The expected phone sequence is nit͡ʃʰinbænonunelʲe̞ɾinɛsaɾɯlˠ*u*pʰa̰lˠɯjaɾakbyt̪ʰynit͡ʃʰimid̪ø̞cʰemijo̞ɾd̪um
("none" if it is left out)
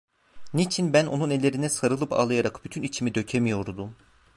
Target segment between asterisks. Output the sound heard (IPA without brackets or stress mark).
ɯ